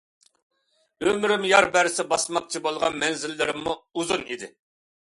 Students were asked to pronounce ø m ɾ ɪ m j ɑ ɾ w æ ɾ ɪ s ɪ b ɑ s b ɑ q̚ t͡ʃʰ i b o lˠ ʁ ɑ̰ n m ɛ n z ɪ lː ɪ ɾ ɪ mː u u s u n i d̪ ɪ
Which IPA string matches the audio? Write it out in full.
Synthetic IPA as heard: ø m ɾ ɪ m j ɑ ɾ b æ ɾ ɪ s ɪ b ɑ s m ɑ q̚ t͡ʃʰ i b o lˠ ʁ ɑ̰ n m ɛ n z ɪ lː ɪ ɾ ɪ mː u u z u n i d̪ ɪ

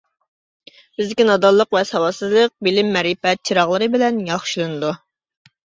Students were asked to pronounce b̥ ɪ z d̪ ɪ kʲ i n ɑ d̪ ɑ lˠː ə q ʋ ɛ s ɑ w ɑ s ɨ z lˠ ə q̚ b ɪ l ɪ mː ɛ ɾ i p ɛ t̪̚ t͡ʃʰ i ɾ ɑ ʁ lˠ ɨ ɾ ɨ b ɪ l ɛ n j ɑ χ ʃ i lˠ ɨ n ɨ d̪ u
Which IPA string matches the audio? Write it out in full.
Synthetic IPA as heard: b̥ ɪ z d̪ ɪ kʲ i n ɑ d̪ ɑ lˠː ə q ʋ ɛ s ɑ w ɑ s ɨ z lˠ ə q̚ b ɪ l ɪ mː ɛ ɾ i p ɛ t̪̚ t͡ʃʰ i ɾ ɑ ʁ lˠ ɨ ɾ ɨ b ɪ l ɛ n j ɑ χ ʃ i lˠ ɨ n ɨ d̪ u

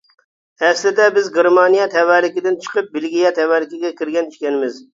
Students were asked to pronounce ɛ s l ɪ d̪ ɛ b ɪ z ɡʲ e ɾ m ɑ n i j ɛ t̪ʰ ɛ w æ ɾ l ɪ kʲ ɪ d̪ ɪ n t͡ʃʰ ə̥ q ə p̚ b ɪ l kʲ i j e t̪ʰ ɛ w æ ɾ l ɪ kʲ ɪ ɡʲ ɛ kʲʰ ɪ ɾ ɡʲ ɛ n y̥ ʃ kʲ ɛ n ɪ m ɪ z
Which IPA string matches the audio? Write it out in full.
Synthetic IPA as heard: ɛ s l ɪ d̪ ɛ b ɪ z ɡʲ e ɾ m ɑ n i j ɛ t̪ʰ ɛ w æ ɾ l ɪ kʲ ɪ d̪ ɪ n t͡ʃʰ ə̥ q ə p̚ b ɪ l ɡʲ i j ɛ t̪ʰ ɛ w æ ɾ l ɪ kʲ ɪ ɡʲ ɛ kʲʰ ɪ ɾ ɡʲ ɛ n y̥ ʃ kʲ ɛ n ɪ m ɪ z

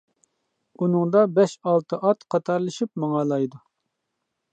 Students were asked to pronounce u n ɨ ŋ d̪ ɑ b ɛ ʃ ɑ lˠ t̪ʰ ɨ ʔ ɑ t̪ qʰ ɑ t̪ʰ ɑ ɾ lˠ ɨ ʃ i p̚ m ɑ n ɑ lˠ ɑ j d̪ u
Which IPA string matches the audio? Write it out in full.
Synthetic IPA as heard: u n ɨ ŋ d̪ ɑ b ɛ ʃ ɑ lˠ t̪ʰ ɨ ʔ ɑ t̪ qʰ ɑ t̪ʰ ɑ ɾ lˠ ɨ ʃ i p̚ m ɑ ŋ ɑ lˠ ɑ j d̪ u

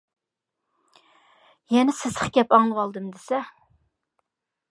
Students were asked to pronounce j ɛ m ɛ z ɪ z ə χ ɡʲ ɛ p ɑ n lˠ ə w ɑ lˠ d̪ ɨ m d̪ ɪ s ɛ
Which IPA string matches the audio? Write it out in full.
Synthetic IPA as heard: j ɛ n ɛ s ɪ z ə χ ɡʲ ɛ p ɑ ŋ lˠ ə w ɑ lˠ d̪ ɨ m d̪ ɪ s ɛ

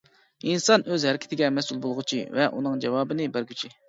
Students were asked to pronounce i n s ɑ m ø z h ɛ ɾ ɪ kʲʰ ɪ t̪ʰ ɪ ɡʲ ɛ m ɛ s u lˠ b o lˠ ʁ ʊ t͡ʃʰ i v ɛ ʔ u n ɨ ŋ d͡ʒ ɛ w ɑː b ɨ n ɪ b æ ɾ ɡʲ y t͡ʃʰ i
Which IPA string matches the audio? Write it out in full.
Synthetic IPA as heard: i n s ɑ n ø z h ɛ ɾ ɪ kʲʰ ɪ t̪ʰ ɪ ɡʲ ɛ m ɛ s u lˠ b o lˠ ʁ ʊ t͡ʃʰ i v ɛ ʔ u n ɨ ŋ d͡ʒ ɛ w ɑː b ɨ n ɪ b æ ɾ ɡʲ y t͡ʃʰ i

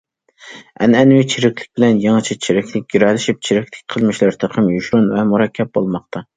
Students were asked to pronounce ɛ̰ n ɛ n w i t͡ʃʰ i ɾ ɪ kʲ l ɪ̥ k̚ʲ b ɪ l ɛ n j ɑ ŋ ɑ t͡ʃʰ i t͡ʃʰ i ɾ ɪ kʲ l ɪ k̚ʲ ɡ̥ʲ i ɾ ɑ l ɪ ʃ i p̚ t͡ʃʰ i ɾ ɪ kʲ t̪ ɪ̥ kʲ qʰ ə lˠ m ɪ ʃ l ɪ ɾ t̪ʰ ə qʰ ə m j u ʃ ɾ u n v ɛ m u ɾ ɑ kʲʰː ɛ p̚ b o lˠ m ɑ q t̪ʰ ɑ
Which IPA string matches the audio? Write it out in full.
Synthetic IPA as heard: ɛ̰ n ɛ n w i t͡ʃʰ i ɾ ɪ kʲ l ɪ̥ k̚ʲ b ɪ l ɛ n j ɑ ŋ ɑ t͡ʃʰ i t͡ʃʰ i ɾ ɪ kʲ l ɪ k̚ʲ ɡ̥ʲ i ɾ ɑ l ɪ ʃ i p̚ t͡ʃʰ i ɾ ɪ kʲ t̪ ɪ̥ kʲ qʰ ə lˠ m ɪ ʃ l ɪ ɾ t̪ʰ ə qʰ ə m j u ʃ ɾ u n v ɛ m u ɾ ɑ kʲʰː ɛ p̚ b o lˠ m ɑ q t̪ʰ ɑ

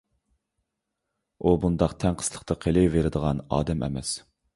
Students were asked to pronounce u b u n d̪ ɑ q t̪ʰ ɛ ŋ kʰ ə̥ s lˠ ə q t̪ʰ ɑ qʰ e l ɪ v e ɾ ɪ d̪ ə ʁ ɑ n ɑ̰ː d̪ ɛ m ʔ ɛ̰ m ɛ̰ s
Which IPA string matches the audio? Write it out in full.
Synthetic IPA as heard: u b u n d̪ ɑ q t̪ʰ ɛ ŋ qʰ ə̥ s lˠ ə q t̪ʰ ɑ qʰ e l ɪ v e ɾ ɪ d̪ ə ʁ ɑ n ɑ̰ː d̪ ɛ m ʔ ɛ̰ m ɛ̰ s

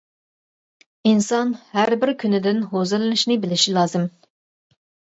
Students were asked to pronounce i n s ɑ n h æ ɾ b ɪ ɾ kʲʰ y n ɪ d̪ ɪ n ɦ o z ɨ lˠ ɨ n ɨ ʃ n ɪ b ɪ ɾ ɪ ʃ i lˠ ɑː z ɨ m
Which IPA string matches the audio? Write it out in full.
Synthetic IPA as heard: i n s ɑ n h æ ɾ b ɪ ɾ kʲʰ y n ɪ d̪ ɪ n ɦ o z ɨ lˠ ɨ n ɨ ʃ n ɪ b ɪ l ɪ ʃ i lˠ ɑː z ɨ m

